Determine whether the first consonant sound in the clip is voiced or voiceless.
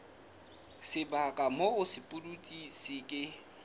voiceless